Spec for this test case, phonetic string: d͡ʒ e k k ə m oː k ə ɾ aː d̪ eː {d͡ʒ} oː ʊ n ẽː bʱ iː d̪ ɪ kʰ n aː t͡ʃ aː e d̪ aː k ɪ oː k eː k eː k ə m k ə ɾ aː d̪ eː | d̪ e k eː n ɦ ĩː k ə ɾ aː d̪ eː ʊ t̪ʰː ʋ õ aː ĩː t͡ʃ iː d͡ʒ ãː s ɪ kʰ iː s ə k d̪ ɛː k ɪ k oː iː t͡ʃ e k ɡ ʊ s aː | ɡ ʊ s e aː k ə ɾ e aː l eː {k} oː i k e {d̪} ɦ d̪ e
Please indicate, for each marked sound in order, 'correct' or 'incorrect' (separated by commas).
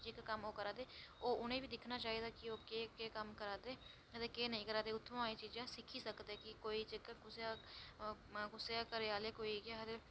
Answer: incorrect, correct, incorrect